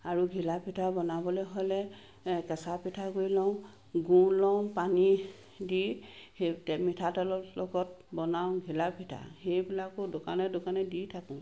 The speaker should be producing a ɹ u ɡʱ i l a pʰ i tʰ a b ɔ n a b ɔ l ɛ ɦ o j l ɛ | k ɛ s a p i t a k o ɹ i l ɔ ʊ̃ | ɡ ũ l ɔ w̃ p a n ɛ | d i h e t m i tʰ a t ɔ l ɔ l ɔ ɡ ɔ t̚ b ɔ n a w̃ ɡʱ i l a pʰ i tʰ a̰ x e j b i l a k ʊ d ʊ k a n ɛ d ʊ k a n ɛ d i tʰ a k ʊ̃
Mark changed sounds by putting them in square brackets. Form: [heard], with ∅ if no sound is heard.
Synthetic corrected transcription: a ɹ u ɡʱ i l a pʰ i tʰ a b ɔ n a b ɔ l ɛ ɦ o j l ɛ | k ɛ s a p i [tʰ] a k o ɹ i l ɔ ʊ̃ | ɡ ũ l ɔ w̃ p a n [i] | d i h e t m i tʰ a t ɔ l ɔ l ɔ ɡ ɔ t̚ b ɔ n a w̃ ɡʱ i l a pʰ i tʰ a̰ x e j b i l a k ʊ d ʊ k a n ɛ d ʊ k a n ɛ d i tʰ a k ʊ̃